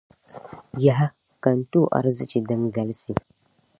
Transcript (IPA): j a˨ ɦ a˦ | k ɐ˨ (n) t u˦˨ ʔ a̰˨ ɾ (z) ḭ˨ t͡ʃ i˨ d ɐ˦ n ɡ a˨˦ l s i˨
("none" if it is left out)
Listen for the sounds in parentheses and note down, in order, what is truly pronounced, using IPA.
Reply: n, z

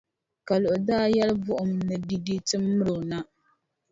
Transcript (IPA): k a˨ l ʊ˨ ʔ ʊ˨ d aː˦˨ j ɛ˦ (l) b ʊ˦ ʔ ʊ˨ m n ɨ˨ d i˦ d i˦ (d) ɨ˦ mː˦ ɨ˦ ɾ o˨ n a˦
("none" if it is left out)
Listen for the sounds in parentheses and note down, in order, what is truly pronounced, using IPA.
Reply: l, t

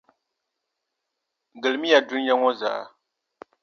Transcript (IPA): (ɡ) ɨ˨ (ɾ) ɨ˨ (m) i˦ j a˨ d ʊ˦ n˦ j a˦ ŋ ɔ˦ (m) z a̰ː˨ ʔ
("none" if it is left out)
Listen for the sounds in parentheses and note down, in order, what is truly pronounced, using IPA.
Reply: ɡ, l, m, none

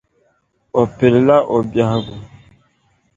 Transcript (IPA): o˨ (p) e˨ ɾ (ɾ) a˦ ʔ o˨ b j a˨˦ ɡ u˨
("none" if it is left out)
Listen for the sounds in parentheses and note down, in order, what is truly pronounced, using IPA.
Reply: p, l

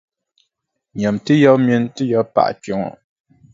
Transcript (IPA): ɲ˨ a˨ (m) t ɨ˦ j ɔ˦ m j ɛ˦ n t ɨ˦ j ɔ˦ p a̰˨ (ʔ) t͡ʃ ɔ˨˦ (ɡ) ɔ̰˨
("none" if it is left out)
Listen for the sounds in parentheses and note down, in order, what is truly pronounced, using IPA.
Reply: m, ʔ, ŋ

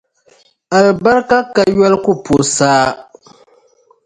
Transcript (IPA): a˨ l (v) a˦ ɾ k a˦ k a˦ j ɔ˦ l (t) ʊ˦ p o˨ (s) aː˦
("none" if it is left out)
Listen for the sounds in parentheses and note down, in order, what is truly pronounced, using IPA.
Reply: b, k, s

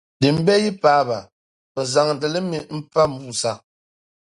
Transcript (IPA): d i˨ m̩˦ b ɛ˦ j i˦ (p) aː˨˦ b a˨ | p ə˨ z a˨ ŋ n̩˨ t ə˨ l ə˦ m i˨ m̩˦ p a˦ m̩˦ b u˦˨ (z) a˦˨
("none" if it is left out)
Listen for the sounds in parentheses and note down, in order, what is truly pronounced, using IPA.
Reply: p, s

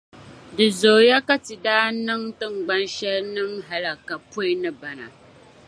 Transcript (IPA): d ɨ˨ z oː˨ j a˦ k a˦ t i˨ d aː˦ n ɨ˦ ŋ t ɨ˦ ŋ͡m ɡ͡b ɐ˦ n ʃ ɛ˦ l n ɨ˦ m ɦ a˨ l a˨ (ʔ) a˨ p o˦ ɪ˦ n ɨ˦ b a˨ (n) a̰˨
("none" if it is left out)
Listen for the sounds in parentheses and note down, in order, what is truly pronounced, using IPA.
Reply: k, n

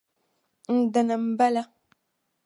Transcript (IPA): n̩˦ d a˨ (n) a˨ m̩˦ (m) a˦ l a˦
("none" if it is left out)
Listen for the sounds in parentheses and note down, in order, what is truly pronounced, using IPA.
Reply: n, b

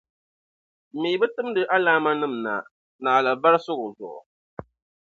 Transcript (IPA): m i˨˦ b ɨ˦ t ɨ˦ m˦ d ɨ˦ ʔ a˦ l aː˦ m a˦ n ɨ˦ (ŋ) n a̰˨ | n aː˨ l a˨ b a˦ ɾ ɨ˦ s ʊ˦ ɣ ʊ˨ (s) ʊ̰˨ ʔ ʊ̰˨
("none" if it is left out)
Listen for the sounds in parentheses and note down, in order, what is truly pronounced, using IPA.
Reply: m, z

